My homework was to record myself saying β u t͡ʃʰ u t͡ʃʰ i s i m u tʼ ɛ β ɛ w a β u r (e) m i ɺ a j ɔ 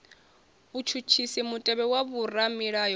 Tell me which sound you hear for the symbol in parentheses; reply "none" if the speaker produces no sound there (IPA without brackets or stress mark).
a